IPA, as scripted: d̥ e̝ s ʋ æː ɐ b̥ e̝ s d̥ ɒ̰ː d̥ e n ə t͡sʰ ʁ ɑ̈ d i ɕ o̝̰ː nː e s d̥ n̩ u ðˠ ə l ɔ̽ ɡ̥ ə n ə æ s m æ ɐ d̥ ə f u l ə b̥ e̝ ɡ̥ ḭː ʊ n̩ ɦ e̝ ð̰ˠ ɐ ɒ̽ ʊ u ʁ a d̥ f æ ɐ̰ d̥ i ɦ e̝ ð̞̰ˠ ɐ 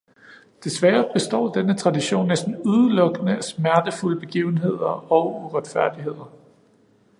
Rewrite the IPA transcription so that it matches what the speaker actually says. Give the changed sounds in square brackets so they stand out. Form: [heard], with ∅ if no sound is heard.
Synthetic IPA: d̥ e̝ s ʋ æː ɐ b̥ e̝ s d̥ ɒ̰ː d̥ e n ə t͡sʰ ʁ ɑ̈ d i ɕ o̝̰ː nː e s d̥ n̩ u ðˠ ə l ɔ̽ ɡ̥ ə n ə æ s m æ ɐ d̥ ə f u l ə b̥ e̝ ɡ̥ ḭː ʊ n̩ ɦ e̝ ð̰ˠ ɐ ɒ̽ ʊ u ʁ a d̥ f æ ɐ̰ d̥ i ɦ e̝ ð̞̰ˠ ɐ